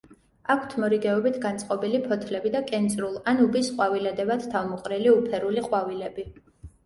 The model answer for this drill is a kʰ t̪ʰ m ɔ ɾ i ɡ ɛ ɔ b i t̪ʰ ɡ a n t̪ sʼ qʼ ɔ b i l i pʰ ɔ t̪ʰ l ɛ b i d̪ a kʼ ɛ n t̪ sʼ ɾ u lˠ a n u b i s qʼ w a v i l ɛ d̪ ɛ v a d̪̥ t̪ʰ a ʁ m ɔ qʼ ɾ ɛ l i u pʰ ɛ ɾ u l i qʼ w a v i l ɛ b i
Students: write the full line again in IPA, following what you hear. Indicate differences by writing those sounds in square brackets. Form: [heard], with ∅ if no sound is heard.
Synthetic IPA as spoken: a kʰ t̪ʰ m ɔ ɾ i ɡ ɛ ɔ b i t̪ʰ ɡ a n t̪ sʼ qʼ ɔ b i l i pʰ ɔ t̪ʰ l ɛ b i d̪ a kʼ ɛ n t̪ sʼ ɾ u lˠ a n u b i s qʼ w a v i l ɛ d̪ ɛ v a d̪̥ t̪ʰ a [v] m ɔ qʼ ɾ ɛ l i u pʰ ɛ ɾ u l i qʼ w a v i l ɛ b i